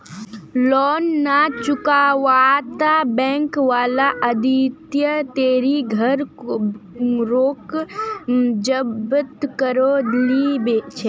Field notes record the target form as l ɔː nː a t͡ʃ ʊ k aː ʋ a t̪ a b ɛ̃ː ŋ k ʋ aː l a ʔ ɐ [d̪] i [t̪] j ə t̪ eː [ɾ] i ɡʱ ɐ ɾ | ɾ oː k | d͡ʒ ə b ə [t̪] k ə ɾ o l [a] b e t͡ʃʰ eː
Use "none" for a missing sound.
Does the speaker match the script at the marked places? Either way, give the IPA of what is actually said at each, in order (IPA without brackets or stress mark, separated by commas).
d̪, t̪, ɾ, t̪, i